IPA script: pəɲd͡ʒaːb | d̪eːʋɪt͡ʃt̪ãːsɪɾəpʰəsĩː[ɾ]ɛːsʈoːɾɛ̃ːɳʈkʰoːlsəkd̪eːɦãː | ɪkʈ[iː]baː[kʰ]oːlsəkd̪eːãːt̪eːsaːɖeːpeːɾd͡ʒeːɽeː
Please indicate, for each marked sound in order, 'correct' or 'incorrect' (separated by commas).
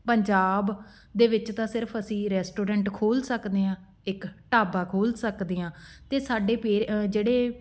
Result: correct, incorrect, correct